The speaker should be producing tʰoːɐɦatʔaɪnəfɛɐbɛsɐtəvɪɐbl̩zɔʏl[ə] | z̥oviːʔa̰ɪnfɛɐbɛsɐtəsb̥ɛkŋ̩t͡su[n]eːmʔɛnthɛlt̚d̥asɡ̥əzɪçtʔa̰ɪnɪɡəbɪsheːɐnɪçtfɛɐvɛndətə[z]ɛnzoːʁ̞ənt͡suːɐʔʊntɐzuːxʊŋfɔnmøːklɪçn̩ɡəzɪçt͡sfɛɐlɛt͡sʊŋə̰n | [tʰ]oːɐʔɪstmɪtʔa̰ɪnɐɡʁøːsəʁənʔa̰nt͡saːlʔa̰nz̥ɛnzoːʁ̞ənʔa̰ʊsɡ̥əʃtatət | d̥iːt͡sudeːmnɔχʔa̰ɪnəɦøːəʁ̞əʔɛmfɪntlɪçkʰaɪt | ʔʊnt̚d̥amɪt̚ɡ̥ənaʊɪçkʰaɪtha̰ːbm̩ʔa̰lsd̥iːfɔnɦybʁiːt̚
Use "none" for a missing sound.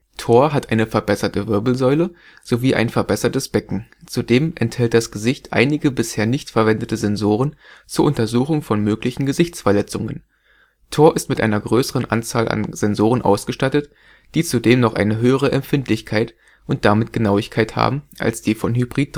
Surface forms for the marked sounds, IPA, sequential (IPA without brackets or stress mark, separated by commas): ə, d, z, tʰ